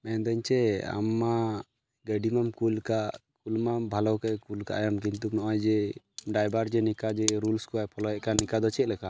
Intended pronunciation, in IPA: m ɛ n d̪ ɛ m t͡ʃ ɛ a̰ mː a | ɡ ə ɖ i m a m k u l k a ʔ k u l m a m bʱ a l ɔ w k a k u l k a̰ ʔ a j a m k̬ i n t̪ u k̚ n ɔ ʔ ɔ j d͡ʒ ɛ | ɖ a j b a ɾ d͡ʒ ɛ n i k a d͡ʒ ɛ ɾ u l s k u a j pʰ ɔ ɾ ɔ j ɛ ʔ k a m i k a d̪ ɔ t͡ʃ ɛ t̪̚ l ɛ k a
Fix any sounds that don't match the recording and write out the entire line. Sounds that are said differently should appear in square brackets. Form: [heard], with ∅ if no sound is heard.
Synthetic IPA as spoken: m ɛ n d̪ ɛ [ɲ] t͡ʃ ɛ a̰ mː a | ɡ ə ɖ i m a m k u l k a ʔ k u l m a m bʱ a l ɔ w k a k u l k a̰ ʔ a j a m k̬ i n t̪ u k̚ n ɔ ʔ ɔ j d͡ʒ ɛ | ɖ a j b a ɾ d͡ʒ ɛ n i k a d͡ʒ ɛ ɾ u l s k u a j pʰ ɔ [l] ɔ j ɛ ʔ k a [n] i k a d̪ ɔ t͡ʃ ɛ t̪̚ l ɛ k a